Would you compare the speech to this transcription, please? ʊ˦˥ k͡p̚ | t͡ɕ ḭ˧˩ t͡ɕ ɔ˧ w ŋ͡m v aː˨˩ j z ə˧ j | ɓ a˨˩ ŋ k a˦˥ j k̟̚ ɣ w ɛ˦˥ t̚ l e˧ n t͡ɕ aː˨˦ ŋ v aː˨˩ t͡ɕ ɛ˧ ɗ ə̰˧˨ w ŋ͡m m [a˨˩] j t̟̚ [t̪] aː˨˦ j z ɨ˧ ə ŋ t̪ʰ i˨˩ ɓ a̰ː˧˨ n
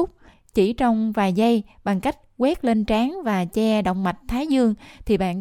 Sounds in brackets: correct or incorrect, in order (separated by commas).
correct, incorrect